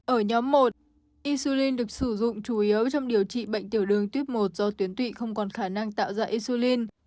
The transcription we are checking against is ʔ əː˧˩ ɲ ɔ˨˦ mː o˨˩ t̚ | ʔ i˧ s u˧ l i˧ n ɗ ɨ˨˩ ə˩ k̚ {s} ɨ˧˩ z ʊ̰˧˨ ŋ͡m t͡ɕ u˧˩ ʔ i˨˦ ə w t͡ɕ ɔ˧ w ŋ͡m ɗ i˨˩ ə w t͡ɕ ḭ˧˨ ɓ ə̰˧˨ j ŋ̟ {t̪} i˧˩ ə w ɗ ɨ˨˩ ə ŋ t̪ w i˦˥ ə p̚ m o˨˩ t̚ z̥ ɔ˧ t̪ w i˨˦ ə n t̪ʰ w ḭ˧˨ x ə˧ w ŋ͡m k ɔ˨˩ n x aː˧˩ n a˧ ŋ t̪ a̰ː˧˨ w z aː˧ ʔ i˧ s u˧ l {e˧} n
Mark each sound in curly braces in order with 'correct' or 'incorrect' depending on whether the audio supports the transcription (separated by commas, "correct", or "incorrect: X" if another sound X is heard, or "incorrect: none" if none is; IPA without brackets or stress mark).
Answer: correct, correct, incorrect: i˧